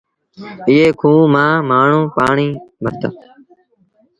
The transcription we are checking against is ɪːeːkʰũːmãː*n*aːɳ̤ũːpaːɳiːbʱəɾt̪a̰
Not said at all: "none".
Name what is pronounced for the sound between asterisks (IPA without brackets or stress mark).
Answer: m